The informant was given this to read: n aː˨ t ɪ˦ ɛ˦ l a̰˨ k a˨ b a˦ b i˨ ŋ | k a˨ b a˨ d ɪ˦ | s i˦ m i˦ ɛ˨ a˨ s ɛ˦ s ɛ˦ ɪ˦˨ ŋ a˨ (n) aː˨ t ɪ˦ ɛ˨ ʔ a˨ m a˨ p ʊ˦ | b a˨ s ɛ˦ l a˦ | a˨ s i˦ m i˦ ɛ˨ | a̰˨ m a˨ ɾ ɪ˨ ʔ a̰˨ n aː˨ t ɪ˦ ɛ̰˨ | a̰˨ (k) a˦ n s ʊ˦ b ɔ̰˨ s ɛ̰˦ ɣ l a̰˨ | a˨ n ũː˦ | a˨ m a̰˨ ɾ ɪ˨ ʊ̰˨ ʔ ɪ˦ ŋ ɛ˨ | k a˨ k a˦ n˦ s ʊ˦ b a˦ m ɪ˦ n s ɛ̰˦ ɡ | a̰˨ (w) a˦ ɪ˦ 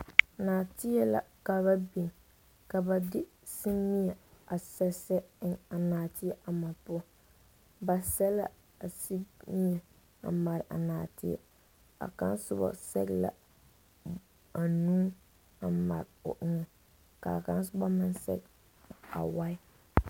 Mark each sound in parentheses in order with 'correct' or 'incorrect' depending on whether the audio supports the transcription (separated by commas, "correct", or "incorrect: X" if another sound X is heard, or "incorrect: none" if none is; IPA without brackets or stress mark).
correct, correct, correct